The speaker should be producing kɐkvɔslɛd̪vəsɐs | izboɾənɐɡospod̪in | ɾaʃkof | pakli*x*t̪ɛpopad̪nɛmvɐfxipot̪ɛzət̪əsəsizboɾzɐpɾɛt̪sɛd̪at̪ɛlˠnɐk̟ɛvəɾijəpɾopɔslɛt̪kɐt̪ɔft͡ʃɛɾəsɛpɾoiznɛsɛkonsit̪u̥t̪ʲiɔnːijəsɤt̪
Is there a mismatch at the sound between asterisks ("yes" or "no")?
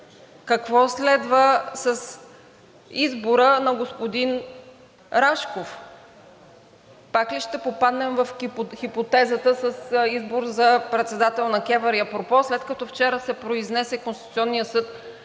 yes